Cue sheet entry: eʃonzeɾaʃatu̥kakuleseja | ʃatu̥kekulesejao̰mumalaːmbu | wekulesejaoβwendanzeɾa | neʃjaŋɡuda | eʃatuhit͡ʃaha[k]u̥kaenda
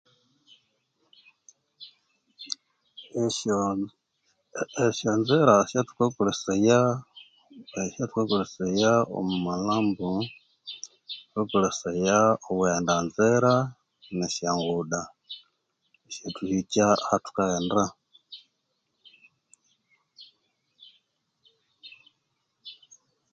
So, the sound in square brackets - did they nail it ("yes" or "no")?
no